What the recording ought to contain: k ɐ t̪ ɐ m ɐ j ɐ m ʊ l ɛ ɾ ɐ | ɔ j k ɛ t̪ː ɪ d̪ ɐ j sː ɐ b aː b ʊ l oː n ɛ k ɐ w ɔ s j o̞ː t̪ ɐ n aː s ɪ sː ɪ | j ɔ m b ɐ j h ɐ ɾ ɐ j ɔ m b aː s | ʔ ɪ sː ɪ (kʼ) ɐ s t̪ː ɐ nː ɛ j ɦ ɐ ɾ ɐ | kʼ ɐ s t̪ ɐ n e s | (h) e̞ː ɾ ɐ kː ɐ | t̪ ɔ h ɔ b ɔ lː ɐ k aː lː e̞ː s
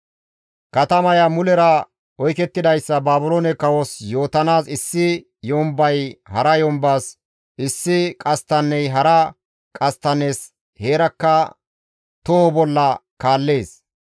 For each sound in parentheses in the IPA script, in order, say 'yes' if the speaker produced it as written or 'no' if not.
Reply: yes, yes

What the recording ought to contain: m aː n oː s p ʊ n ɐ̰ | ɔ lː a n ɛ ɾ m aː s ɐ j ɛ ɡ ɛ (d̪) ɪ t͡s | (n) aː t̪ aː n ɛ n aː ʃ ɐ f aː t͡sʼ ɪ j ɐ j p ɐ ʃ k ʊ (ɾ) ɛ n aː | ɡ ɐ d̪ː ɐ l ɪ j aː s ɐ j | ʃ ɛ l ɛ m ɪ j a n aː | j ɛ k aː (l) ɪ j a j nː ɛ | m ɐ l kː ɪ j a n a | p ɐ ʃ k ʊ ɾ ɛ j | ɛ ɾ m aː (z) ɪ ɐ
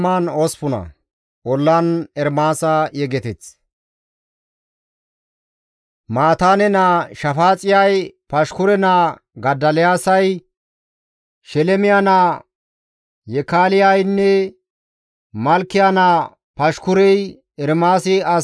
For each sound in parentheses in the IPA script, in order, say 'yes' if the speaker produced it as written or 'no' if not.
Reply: no, no, yes, yes, no

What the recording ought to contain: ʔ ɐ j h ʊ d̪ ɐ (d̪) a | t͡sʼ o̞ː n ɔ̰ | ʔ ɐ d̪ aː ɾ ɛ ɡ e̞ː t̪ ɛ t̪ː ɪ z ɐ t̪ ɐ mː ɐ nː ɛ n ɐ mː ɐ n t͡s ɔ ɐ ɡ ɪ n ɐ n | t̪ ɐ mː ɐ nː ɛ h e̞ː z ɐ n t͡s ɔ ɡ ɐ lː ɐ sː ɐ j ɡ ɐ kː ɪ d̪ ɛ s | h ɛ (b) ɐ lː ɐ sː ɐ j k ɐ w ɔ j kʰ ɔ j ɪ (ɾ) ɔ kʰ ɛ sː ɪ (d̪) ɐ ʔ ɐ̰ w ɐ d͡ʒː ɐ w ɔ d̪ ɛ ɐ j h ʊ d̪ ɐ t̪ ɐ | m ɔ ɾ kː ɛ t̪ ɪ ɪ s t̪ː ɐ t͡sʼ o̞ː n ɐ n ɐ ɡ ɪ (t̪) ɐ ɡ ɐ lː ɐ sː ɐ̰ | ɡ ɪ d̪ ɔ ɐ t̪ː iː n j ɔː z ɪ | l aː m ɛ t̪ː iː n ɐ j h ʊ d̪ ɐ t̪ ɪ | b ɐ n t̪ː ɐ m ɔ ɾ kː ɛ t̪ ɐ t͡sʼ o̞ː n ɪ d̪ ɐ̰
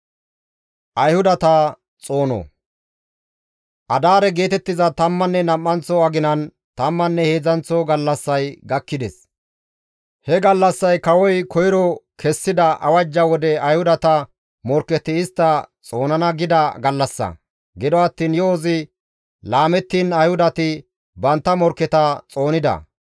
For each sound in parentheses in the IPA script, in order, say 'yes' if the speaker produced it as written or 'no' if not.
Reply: no, no, yes, yes, no

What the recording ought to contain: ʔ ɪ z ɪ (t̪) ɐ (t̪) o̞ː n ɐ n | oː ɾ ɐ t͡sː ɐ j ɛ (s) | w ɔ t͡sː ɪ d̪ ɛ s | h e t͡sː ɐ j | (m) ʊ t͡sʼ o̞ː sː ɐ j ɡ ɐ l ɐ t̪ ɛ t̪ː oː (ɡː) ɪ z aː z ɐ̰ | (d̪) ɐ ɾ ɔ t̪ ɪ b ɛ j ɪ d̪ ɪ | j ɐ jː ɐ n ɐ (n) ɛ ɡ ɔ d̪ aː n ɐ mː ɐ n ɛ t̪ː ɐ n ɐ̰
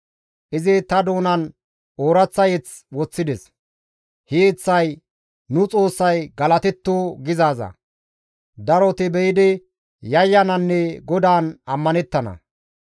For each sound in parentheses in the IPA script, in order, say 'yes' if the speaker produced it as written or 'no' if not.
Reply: yes, no, no, no, no, yes, no

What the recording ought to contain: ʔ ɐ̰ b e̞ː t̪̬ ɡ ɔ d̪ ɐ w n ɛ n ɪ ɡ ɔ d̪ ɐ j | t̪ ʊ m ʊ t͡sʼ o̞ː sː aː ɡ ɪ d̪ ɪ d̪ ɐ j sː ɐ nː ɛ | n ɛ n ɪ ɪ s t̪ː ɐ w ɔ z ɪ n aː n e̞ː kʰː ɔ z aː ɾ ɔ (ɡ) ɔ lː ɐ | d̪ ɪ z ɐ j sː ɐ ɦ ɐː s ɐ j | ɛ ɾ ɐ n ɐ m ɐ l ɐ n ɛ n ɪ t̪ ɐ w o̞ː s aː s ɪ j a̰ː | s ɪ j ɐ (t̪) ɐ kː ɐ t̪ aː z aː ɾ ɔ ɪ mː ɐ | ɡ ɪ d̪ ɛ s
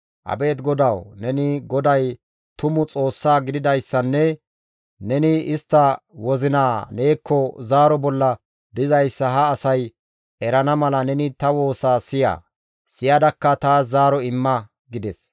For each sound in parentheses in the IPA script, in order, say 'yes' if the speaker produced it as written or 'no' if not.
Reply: no, no

